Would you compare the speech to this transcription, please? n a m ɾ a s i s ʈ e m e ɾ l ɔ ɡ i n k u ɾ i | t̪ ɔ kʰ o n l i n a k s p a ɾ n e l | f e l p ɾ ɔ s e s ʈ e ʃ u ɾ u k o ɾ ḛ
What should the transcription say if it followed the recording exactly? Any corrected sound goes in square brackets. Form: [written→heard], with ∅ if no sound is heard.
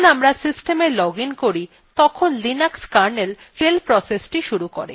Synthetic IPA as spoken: n a m ɾ a s i s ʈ e m e ɾ l ɔ ɡ i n k [u→o] ɾ i | t̪ ɔ kʰ o n l i n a k s [p→k] a ɾ n e l | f e l p ɾ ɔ s e s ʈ [e→i] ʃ u ɾ u k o ɾ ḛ

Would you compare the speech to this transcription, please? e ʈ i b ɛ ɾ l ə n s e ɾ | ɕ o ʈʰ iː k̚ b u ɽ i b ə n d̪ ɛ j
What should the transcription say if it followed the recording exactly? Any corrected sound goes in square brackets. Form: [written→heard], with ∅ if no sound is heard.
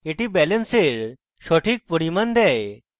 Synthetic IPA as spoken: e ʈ i b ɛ [ɾ→∅] l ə n s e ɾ | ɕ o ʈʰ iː k̚ [b→p] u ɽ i [b→m] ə n d̪ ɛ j

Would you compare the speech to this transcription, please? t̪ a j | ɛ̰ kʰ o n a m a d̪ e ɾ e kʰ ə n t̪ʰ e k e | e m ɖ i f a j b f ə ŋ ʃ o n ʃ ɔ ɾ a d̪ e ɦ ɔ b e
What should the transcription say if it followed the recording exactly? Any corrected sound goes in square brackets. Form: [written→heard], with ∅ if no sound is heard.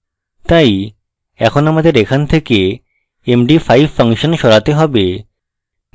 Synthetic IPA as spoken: t̪ a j | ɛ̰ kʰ o n a m a d̪ e ɾ e kʰ [ə→a] n t̪ʰ e k e | e m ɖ i f a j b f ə ŋ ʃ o n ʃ ɔ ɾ a [d̪→t̪] e ɦ ɔ b e

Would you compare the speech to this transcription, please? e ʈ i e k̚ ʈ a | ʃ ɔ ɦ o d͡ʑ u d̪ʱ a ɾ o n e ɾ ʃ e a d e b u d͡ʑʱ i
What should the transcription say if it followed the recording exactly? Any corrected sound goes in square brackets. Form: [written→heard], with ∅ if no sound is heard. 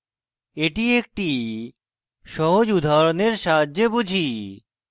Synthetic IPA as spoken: e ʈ i e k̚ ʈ [a→i] | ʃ ɔ ɦ o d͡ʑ u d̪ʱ a ɾ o n e ɾ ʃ [e→a] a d e b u d͡ʑʱ i

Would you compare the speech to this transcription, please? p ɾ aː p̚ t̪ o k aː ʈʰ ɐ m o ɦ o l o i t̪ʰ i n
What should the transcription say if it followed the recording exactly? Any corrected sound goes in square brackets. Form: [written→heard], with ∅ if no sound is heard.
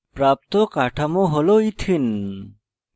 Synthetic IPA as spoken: p ɾ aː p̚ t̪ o k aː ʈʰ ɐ m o ɦ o l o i t̪ʰ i n

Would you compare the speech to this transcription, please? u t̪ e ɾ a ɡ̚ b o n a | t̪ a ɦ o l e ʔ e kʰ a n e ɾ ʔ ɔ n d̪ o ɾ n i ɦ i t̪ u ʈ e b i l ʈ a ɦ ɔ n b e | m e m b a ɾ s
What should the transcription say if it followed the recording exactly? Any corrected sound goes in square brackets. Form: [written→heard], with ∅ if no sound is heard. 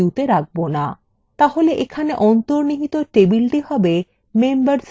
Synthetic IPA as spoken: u t̪ e ɾ a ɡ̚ b o n a | t̪ a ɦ o l e ʔ e kʰ a n e [ɾ→∅] ʔ ɔ n [d̪→t̪] o ɾ n i ɦ i t̪ [u→o] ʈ e b i l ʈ [a→i] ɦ ɔ [n→∅] b e | m e m b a ɾ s

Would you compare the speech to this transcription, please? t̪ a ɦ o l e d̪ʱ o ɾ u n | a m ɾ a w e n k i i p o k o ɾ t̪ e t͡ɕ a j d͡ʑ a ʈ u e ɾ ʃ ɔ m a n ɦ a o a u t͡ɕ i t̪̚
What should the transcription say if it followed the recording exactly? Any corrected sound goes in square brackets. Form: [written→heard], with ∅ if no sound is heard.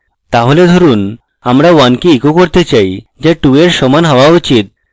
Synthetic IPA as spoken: t̪ a ɦ o l e d̪ʱ o ɾ u n | a m ɾ a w [e→a] n k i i [p→k] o k o ɾ t̪ e t͡ɕ a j d͡ʑ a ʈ u e ɾ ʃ ɔ m a n ɦ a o a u t͡ɕ i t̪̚

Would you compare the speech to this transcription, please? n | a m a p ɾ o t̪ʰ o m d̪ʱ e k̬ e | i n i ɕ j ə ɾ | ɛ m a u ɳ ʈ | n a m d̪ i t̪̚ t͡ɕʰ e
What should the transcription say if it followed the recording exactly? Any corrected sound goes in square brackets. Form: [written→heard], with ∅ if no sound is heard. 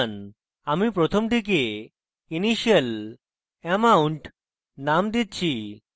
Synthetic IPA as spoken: n | a m [a→i] p ɾ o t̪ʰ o m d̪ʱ [e→i] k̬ e | i n i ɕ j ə [ɾ→l] | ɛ m a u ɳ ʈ | n a m d̪ i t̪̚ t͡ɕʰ [e→i]

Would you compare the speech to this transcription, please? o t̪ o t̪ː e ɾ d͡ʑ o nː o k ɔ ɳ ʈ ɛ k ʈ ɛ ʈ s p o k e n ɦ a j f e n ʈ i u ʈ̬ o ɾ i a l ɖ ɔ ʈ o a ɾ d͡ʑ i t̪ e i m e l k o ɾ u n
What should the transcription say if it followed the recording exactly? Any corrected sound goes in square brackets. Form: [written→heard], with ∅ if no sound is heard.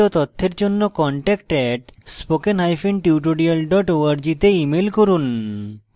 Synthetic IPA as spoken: o t̪ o [t̪ː→t̪ʰː] e ɾ d͡ʑ o nː o k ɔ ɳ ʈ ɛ k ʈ ɛ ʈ s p o k e n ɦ a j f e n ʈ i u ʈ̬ o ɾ i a l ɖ ɔ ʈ o a ɾ d͡ʑ i t̪ e i m e l k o ɾ u n

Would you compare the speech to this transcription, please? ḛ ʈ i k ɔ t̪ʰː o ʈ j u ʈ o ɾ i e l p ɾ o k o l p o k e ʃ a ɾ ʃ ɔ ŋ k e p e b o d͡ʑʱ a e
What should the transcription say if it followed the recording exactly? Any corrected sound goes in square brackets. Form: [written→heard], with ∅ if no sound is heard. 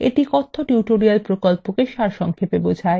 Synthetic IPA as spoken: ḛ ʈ i k ɔ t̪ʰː o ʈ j u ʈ o ɾ i [e→a] l p ɾ o k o l p o k e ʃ a ɾ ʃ ɔ ŋ [k→kʰ] e p e b o d͡ʑʱ a e

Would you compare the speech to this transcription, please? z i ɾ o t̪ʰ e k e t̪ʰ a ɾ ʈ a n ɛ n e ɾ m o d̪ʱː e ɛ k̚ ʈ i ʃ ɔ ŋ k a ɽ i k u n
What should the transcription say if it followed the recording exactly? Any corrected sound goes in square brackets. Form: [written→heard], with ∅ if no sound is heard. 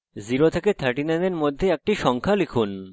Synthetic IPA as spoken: z i ɾ o t̪ʰ e k e t̪ʰ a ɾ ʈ [a→i] n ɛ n e ɾ m o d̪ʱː e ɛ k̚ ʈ i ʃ ɔ ŋ [k→kʰ] a [ɽ→l] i [k→kʰ] u n

